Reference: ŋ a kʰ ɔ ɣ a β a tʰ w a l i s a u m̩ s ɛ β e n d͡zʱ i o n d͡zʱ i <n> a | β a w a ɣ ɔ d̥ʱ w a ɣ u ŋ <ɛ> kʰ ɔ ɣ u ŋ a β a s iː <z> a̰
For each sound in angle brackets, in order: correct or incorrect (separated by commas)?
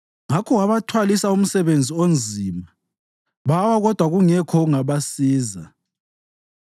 incorrect, correct, correct